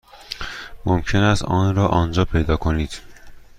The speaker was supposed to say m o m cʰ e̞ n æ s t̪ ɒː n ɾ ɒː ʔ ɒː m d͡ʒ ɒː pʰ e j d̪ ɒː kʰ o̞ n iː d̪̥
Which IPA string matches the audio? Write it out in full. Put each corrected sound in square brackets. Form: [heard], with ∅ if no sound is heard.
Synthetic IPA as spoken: m o m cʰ e̞ n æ s t̪ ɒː n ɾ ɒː ʔ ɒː [n] d͡ʒ ɒː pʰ e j d̪ ɒː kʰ o̞ n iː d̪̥